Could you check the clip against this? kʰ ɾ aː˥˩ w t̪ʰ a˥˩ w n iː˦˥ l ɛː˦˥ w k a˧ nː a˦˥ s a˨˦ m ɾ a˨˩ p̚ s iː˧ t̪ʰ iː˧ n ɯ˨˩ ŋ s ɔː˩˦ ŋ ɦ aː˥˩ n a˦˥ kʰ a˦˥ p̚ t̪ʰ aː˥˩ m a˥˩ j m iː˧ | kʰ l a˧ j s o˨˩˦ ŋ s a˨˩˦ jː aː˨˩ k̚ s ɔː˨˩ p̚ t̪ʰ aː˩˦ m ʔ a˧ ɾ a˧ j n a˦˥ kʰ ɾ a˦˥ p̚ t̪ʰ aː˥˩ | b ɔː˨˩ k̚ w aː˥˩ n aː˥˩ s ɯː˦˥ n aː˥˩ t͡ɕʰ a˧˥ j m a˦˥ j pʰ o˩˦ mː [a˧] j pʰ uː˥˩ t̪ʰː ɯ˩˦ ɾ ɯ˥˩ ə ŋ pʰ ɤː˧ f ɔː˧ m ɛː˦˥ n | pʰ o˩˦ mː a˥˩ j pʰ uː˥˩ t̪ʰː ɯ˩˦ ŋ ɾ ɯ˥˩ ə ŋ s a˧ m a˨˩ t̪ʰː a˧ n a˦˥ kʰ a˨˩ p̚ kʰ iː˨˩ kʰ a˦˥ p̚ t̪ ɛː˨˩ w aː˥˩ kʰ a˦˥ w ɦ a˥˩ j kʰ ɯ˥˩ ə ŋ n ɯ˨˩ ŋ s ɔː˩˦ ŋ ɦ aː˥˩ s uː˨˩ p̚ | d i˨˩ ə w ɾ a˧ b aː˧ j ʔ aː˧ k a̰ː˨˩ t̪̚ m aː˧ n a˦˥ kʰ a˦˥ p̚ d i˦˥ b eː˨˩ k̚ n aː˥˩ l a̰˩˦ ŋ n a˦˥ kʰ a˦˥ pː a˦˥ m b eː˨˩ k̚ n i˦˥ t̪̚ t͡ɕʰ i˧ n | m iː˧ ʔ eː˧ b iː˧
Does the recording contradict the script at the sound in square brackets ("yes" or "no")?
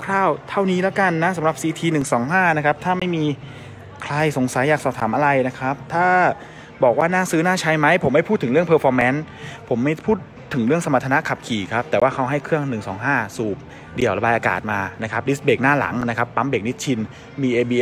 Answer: yes